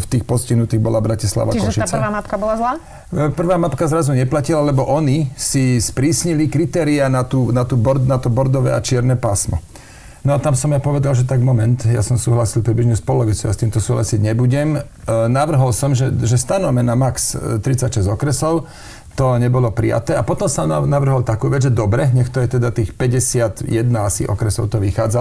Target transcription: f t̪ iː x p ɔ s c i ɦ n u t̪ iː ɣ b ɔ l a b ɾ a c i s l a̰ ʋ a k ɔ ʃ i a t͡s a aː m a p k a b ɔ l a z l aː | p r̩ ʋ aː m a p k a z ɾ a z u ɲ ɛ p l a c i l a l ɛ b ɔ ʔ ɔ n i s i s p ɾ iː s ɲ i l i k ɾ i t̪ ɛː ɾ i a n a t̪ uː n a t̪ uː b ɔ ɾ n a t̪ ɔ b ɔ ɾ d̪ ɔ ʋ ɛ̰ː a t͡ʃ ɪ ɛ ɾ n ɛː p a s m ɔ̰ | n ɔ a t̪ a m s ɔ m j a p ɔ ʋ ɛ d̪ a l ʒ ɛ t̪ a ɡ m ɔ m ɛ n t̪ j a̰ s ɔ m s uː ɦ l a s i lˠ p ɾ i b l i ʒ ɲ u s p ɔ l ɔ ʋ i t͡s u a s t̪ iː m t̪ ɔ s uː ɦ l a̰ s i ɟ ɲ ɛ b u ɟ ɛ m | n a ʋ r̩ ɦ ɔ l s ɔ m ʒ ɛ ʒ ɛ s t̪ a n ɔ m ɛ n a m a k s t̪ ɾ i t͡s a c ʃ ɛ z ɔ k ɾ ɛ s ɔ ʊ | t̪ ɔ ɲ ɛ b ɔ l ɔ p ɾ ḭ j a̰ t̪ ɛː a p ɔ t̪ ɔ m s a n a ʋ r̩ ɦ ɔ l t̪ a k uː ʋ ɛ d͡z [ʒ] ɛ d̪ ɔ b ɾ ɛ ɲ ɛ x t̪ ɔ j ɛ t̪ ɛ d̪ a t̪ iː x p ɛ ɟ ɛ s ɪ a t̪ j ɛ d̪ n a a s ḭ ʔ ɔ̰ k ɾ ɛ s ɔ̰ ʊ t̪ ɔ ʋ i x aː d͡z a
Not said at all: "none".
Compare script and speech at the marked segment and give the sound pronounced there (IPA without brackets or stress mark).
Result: ʒ